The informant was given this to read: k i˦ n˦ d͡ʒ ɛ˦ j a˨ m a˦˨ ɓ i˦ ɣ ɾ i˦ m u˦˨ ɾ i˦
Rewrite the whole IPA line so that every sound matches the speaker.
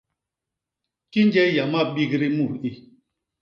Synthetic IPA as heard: k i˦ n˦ d͡ʒ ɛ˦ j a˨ m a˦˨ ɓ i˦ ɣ ɾ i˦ m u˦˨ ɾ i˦